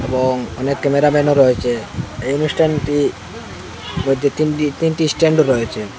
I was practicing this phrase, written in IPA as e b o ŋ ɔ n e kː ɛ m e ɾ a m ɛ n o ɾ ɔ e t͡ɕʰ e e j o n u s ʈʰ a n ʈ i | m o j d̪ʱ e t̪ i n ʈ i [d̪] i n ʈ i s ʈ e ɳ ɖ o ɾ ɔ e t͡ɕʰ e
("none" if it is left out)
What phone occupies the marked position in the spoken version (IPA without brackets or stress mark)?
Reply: t̪